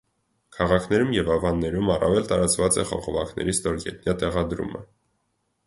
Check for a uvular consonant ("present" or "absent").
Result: present